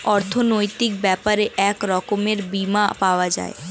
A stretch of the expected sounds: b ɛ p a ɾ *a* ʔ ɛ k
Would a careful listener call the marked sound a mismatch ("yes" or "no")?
yes